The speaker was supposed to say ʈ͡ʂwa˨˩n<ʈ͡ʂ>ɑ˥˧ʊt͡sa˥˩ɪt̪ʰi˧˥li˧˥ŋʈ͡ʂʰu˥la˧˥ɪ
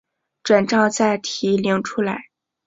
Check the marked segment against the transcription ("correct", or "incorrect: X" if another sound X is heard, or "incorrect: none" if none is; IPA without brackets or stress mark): correct